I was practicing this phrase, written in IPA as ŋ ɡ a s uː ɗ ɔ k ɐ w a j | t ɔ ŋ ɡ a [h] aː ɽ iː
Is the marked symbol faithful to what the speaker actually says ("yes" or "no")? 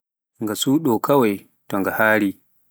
yes